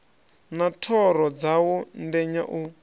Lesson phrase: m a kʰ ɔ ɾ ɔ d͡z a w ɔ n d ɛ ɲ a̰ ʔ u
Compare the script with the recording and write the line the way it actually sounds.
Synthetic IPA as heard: n a tʰ ɔ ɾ ɔ d͡z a w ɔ n d ɛ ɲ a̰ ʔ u